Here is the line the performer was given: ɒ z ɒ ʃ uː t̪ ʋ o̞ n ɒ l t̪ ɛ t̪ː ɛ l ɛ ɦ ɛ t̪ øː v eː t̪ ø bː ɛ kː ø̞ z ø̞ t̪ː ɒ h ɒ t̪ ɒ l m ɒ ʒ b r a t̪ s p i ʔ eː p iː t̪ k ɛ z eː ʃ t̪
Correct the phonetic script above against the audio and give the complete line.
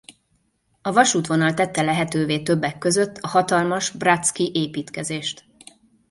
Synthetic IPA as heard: ɒ v ɒ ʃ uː t̪ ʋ o̞ n ɒ l t̪ ɛ t̪ː ɛ l ɛ ɦ ɛ t̪ øː v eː t̪ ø bː ɛ kː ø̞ z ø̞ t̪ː ɒ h ɒ t̪ ɒ l m ɒ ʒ b r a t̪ s k i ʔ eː p iː t̪ k ɛ z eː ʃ t̪